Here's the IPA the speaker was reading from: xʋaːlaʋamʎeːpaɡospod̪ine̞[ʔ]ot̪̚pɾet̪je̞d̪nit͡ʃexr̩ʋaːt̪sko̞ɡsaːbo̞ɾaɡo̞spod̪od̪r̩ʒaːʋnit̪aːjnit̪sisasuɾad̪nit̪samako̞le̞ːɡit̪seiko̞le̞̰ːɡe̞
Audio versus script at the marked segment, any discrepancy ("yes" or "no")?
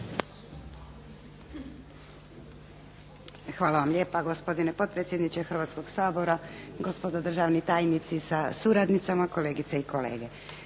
yes